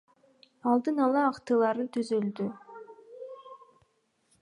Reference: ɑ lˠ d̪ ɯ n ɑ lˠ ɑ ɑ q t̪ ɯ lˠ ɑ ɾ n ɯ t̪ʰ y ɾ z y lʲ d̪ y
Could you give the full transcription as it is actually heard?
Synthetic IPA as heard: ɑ lˠ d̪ ɯ n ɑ lˠ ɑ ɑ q t̪ ɯ lˠ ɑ ɾ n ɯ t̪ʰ y z y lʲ d̪ y